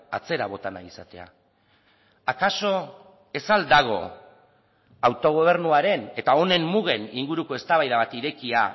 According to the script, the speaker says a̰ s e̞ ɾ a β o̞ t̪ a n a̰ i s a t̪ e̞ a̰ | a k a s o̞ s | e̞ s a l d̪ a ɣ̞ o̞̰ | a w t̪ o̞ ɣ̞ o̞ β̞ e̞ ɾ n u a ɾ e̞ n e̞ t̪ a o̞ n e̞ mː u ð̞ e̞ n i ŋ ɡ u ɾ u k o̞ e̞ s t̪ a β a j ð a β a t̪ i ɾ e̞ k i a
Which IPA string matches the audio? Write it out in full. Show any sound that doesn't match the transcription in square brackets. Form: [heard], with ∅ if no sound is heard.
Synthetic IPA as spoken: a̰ [t͡s] e̞ ɾ a β o̞ t̪ a n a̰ i s a t̪ e̞ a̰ | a k a s o̞ [∅] | e̞ s a l d̪ a ɣ̞ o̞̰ | a w t̪ o̞ ɣ̞ o̞ β̞ e̞ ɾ n u a ɾ e̞ n e̞ t̪ a o̞ n e̞ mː u [ɣ̞] e̞ n i ŋ ɡ u ɾ u k o̞ e̞ s t̪ a β a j ð a β a t̪ i ɾ e̞ k i a